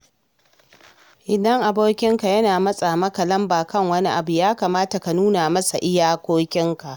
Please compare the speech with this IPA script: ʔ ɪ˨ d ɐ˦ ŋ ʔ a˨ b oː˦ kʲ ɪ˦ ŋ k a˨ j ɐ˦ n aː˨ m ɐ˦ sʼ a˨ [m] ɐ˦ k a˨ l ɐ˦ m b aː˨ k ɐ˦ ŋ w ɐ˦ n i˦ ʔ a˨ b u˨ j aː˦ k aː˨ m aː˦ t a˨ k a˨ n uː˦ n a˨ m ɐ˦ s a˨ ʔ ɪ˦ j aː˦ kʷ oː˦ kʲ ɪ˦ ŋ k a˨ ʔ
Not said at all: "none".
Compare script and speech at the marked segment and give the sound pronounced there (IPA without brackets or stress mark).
m